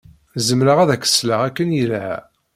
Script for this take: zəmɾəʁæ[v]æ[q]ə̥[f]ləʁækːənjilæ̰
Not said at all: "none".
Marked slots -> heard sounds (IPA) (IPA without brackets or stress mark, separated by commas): ð, k, s